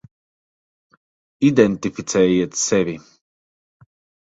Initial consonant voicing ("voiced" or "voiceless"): voiced